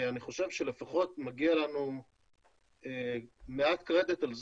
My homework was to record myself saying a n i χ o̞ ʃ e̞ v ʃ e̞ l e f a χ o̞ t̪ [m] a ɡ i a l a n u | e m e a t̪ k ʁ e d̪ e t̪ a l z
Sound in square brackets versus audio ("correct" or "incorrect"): correct